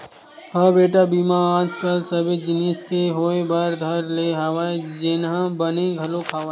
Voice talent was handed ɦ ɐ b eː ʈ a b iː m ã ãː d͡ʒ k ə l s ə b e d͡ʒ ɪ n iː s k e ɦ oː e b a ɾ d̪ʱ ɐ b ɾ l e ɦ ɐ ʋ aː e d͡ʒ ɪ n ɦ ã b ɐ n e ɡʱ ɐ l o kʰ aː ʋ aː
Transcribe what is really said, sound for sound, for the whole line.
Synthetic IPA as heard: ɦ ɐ b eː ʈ a b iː m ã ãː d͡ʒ k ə l s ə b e d͡ʒ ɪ n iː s k e ɦ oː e b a ɾ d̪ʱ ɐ ɾ l e ɦ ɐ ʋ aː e d͡ʒ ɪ n ɦ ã b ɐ n e ɡʱ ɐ l o kʰ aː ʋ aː